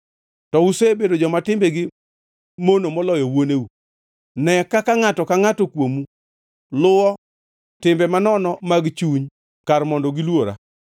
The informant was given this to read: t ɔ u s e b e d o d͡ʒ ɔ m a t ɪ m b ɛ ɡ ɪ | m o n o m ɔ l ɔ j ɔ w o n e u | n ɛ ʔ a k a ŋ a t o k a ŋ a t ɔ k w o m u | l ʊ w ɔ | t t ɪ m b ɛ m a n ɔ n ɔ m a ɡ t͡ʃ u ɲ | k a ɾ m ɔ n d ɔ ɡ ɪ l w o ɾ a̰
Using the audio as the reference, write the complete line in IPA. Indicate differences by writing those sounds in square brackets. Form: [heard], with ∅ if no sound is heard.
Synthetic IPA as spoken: t ɔ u s e b e d o d͡ʒ ɔ m a t ɪ m b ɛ ɡ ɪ | m o n o m ɔ l ɔ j ɔ w o n e u | n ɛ [k] a k a ŋ a t [ɔ] k a ŋ a t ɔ k w o m u | l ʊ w ɔ | t t ɪ m b ɛ m a n ɔ n ɔ m a ɡ t͡ʃ u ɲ | k a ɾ m ɔ n d ɔ ɡ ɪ l w o ɾ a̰